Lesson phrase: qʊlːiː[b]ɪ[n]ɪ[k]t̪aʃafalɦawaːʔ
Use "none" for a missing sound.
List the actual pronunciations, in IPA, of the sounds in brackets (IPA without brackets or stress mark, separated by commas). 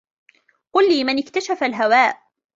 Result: m, n, k